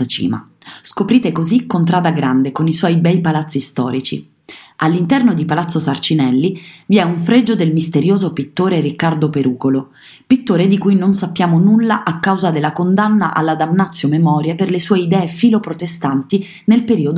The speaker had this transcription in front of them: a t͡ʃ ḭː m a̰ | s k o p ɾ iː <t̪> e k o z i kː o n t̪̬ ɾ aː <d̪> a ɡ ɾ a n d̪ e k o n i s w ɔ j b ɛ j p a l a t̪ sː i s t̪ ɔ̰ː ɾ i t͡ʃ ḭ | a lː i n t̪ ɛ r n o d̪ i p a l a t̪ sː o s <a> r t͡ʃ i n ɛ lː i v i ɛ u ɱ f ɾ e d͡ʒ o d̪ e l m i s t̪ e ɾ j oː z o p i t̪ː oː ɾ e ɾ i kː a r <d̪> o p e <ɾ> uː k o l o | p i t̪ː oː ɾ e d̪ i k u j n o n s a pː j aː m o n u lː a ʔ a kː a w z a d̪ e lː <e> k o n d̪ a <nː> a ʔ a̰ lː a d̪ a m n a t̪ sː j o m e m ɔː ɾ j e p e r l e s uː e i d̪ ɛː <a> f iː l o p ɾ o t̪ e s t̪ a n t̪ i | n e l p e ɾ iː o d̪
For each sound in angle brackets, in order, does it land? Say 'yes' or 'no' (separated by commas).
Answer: yes, yes, yes, yes, yes, no, yes, no